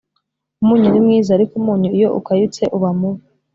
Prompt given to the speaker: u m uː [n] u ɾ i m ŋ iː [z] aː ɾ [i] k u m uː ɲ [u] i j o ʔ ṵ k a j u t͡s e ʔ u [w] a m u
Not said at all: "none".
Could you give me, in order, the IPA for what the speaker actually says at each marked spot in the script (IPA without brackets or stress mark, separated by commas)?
ɲ, z, i, u, β